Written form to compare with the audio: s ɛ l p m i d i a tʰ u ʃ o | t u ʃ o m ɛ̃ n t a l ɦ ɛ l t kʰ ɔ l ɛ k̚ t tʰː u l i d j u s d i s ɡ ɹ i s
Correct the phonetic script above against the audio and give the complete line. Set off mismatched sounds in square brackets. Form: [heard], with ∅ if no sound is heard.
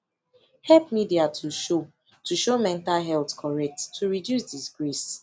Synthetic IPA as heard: [h] ɛ l p m i d i a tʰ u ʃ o | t u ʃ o m ɛ̃ n t a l ɦ ɛ l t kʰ ɔ [ɹ] ɛ k̚ t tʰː u [ɹ] i d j u s d i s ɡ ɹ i s